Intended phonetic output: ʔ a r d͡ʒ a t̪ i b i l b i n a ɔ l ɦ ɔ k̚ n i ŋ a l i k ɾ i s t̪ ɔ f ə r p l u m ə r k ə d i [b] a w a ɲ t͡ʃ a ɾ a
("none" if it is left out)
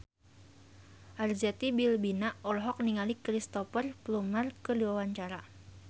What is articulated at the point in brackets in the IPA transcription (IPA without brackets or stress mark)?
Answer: w